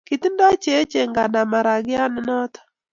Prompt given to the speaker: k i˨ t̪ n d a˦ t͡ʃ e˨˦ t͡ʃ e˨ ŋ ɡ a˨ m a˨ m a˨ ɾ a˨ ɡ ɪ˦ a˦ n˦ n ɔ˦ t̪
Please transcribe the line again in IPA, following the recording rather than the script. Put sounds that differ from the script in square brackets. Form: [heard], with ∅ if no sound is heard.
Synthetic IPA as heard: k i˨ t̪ n d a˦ t͡ʃ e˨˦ t͡ʃ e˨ ŋ ɡ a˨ [n] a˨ m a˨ ɾ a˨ ɡ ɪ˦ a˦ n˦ n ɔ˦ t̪

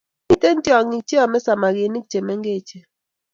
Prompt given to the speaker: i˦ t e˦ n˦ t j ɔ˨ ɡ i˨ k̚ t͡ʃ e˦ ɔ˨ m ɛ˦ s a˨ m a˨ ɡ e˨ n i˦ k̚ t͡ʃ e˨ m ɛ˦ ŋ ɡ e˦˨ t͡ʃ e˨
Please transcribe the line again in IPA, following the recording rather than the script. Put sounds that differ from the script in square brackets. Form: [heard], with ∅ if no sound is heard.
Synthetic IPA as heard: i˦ t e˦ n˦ t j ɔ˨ [ŋ] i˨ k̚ t͡ʃ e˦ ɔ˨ m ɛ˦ s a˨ m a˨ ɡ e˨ n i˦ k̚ t͡ʃ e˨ m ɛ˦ ŋ ɡ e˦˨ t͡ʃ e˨

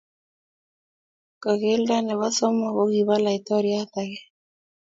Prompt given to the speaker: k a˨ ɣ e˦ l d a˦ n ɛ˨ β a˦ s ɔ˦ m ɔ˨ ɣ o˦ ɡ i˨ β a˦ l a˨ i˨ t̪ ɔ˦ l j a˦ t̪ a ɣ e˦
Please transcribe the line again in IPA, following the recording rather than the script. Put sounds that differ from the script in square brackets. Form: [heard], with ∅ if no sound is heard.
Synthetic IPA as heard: k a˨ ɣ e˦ l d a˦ n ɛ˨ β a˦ s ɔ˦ m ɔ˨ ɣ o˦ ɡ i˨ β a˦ l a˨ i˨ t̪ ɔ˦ [ɾ] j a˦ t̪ a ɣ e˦

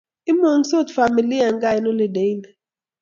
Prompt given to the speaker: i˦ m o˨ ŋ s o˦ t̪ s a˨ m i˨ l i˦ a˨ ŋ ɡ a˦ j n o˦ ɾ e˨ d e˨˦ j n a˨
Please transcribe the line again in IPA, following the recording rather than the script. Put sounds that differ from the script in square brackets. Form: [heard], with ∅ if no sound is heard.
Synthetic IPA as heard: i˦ m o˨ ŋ s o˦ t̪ [f] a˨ m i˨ l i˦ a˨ ŋ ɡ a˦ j n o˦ [l] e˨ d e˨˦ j n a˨

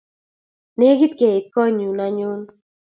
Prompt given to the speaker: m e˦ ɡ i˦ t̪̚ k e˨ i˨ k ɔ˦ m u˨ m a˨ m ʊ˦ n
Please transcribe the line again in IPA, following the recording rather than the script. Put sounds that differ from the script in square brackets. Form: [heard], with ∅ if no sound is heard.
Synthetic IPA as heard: [n] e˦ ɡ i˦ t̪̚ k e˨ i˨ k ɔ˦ [ɲ] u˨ [n] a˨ [ɲ] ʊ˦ n

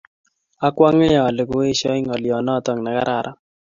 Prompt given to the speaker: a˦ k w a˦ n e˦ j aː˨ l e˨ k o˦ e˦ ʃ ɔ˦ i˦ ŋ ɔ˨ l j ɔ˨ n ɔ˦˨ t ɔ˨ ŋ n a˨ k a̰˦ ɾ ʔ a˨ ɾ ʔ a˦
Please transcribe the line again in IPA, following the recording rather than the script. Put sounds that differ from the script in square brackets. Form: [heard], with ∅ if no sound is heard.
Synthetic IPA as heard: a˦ k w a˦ [ŋ] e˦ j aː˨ l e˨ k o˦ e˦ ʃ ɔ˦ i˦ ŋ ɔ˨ l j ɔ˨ n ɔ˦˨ t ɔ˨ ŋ n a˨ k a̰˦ ɾ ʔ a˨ ɾ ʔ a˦

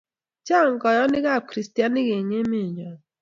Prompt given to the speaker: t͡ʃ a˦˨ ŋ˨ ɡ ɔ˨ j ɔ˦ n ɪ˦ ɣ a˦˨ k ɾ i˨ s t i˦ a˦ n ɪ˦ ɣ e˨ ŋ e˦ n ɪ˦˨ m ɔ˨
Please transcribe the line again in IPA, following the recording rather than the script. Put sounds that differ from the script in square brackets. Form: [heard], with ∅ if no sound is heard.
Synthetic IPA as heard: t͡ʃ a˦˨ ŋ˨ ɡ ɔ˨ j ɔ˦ n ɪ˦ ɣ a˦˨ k ɾ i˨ s t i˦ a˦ n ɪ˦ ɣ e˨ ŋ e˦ [m] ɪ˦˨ [ɲ] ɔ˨

